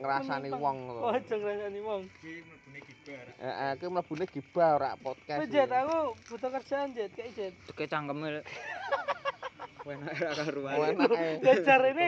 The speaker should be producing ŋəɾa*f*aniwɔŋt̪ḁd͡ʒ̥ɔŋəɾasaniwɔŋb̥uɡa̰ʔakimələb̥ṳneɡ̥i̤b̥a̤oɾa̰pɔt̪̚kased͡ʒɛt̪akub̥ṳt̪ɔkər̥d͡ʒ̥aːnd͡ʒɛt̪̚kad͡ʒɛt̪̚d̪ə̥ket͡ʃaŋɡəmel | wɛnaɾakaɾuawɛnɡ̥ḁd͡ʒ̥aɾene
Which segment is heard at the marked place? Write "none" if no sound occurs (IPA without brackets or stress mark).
s